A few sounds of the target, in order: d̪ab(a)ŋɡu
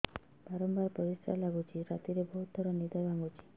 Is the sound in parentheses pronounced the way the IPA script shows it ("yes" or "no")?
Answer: yes